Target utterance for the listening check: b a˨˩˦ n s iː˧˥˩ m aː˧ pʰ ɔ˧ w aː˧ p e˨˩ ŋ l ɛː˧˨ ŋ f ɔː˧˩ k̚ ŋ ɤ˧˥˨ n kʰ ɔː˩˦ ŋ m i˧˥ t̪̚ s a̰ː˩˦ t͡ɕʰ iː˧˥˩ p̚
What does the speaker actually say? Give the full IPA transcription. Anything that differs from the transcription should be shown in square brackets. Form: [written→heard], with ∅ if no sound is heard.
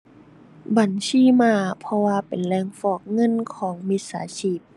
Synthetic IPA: b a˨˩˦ n s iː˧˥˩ m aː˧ pʰ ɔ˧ w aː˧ p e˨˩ [ŋ→n] l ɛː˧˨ ŋ f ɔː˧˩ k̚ ŋ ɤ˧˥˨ n kʰ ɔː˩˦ ŋ m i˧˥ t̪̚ s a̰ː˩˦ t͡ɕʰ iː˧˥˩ p̚